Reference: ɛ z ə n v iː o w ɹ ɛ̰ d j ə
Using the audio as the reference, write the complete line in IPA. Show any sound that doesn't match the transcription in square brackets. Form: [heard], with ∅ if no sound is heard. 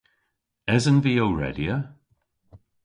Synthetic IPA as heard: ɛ z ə n v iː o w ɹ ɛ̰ d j ə